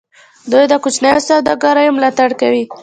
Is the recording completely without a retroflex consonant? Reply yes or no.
no